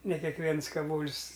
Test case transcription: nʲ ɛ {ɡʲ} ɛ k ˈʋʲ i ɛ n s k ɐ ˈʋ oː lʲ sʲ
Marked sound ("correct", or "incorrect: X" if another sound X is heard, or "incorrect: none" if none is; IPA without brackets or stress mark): incorrect: kʲ